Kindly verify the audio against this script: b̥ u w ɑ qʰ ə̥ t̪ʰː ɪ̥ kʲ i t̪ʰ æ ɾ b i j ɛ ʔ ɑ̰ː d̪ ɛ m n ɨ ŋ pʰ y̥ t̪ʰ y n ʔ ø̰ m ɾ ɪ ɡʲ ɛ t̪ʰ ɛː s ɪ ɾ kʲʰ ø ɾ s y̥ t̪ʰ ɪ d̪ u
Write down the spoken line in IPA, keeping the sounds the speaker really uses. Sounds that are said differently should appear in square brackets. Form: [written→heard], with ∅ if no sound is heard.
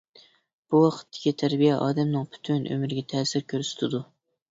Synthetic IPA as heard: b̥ u w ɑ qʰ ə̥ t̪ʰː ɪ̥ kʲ i t̪ʰ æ ɾ b i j ɛ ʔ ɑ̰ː d̪ ɛ m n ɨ ŋ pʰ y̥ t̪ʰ y n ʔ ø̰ m ɾ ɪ ɡʲ ɛ t̪ʰ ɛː s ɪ ɾ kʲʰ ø ɾ s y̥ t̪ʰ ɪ d̪ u